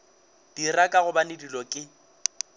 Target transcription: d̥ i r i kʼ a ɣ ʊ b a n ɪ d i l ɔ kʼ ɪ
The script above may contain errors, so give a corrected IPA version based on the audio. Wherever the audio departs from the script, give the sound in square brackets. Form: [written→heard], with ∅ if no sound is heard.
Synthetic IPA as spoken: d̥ i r [i→a] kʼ a ɣ ʊ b a n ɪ d i l ɔ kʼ ɪ